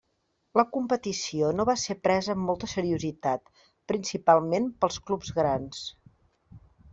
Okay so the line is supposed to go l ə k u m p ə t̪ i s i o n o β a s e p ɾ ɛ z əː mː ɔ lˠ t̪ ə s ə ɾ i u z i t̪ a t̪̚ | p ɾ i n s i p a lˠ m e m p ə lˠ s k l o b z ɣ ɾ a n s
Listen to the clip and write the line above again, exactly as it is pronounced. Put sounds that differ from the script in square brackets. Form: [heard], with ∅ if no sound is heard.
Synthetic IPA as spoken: l ə k u m p ə t̪ i s i o n o β a s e p ɾ ɛ z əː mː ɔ lˠ t̪ ə s ə ɾ i u z i t̪ a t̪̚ | p ɾ i n s i p a lˠ m e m p ə lˠ s k l [u] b z ɣ ɾ a n s